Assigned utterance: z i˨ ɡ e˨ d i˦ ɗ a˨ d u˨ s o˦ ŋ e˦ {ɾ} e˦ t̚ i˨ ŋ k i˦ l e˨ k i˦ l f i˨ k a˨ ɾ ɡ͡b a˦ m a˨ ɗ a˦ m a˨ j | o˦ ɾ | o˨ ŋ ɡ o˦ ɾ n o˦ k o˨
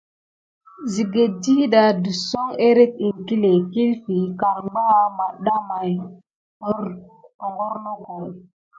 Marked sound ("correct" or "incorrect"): correct